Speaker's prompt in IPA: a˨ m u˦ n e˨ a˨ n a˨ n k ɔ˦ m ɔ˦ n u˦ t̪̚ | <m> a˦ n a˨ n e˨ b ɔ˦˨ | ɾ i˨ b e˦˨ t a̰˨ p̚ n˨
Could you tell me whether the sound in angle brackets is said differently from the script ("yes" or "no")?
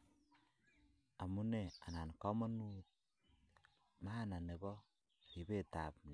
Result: no